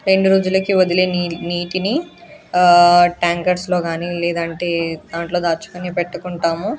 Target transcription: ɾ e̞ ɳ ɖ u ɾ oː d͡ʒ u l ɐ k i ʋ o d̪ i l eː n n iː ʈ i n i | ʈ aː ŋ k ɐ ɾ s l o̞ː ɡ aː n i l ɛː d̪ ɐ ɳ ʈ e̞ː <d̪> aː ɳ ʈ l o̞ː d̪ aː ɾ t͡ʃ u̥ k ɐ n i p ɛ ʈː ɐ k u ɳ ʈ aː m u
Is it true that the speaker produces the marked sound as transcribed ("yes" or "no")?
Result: yes